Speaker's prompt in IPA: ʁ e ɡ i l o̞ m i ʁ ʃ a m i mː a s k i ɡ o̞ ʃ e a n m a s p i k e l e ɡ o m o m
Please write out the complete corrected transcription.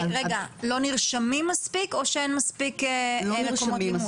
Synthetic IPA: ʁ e ɡ a l o̞ n i ʁ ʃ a m i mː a s p i k o̞ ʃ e e n m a s p i k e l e k o m o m